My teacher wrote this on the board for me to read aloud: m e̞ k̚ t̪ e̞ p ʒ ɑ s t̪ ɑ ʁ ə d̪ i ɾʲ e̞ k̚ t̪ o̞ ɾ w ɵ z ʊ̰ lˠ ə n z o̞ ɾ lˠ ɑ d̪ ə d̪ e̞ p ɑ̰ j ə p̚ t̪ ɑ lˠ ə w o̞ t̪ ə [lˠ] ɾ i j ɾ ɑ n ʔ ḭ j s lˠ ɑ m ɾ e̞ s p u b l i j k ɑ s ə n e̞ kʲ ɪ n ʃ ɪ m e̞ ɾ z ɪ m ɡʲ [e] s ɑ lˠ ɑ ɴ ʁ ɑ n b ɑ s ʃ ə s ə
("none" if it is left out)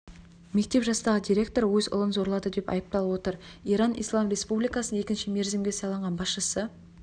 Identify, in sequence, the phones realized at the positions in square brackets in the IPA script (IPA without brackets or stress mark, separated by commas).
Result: none, e